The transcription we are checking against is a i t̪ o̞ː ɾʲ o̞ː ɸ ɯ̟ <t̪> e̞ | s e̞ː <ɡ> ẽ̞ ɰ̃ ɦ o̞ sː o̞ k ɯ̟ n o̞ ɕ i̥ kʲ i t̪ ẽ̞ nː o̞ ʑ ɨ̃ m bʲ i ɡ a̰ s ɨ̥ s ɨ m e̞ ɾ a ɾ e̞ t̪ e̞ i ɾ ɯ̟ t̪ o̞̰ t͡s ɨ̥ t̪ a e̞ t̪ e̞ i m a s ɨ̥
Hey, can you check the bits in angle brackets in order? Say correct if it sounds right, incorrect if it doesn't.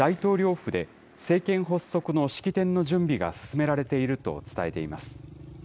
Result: incorrect: d̪, incorrect: k

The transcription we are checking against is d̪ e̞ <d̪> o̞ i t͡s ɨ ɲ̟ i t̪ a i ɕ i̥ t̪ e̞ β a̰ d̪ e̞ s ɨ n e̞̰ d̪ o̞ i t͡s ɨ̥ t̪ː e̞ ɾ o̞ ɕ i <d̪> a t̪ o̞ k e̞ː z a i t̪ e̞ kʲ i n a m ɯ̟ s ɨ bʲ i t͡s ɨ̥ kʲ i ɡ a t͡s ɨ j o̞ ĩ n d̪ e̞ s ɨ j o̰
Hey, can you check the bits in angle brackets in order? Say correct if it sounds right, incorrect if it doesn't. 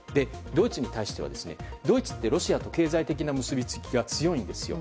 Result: correct, incorrect: none

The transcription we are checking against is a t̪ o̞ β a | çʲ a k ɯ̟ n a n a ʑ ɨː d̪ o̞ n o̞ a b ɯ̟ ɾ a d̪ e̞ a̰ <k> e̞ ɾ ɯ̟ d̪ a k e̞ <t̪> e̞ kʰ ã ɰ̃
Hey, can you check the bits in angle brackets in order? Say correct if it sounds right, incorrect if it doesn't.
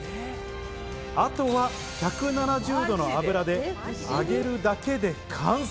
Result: incorrect: ɡ, incorrect: d̪

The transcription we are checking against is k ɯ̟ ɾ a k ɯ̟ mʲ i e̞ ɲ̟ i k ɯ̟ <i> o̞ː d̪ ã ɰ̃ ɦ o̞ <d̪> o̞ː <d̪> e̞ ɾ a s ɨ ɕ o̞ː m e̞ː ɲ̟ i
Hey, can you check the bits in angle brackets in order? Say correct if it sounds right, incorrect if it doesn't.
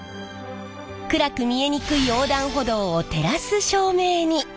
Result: correct, correct, incorrect: t̪

